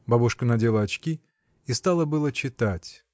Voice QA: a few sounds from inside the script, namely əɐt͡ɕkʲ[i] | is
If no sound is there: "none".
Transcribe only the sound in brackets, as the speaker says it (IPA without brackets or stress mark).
i